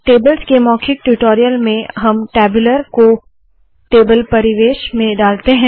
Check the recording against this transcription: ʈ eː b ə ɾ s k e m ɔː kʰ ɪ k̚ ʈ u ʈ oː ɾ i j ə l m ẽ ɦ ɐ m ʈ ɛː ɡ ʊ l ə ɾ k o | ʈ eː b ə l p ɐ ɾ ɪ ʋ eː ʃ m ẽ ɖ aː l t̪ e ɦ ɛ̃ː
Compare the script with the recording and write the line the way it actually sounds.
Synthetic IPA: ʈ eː b ə l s k e m ɔː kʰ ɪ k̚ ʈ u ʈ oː ɾ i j ə l m ẽ ɦ ɐ m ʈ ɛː b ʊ l ə ɾ k o | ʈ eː b ə l p ɐ ɾ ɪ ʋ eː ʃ m ẽ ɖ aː l t̪ e ɦ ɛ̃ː